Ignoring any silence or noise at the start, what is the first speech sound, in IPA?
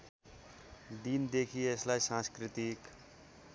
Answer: d̪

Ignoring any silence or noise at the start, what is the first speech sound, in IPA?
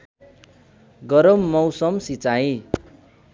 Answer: ɡ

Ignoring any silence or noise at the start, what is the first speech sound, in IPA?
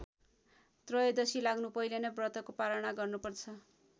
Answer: t̪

